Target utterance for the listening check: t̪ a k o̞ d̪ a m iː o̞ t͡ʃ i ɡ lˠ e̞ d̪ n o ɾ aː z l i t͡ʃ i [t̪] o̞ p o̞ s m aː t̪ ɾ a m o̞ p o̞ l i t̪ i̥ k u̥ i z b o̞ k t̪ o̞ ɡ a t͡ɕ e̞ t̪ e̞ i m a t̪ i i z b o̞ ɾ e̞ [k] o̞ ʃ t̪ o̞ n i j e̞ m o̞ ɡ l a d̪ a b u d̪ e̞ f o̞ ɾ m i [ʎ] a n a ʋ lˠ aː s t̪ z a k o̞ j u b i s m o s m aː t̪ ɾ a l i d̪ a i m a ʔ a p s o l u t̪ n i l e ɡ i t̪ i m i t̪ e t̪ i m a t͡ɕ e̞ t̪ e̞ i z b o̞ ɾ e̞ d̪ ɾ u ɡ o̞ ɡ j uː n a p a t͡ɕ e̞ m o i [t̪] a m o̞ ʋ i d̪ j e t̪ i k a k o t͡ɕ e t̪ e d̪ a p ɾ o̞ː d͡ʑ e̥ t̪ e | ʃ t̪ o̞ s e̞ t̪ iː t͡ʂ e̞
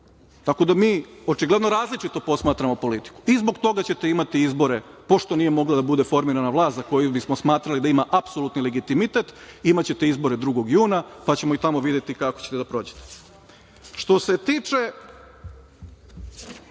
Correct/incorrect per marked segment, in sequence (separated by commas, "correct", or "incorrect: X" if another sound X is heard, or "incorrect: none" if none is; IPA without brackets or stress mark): correct, incorrect: p, incorrect: ɾ, correct